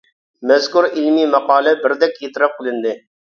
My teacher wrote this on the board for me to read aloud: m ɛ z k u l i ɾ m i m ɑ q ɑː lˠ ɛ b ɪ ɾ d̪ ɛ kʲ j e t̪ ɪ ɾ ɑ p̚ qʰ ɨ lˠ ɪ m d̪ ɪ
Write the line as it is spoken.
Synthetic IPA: m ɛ z k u ɾ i l m i m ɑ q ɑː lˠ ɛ b ɪ ɾ d̪ ɛ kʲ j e t̪ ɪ ɾ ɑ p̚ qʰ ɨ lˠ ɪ n d̪ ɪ